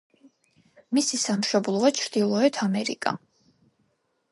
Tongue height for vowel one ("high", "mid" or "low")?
high